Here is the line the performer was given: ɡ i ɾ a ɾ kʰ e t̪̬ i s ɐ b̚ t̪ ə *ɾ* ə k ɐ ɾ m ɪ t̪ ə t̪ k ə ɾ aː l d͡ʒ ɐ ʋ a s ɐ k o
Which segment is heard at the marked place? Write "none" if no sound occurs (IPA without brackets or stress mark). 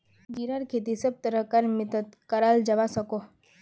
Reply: ɾ